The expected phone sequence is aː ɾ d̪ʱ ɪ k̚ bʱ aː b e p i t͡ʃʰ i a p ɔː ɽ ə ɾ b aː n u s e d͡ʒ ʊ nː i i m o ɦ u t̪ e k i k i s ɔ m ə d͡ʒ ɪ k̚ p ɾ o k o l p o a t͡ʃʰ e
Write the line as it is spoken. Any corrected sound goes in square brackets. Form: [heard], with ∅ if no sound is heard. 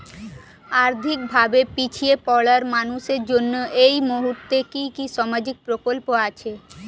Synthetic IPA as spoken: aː ɾ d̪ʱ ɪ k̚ bʱ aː b e p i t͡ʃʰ i [e] p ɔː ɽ ə ɾ [m] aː n u s e d͡ʒ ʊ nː [e] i m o ɦ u t̪ e k i k i s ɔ m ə d͡ʒ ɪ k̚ p ɾ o k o l p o a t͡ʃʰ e